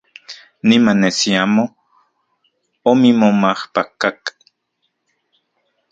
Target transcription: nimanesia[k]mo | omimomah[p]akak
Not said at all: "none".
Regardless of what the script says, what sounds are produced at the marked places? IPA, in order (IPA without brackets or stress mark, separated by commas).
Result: none, p